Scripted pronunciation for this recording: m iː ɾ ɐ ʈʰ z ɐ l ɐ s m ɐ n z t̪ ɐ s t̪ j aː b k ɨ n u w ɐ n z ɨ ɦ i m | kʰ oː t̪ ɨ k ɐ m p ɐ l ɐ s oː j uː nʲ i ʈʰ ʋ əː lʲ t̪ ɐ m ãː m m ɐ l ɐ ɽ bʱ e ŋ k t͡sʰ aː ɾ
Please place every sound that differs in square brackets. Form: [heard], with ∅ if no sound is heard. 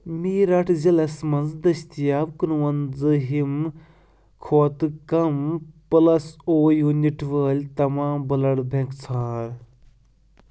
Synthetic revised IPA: m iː ɾ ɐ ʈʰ z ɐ l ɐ s m ɐ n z [d̪] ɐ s t̪ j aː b k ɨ n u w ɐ n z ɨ ɦ i m | kʰ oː t̪ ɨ k ɐ m p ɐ l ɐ s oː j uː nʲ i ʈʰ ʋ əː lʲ t̪ ɐ m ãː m [b] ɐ l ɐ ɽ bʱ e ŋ k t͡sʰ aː ɾ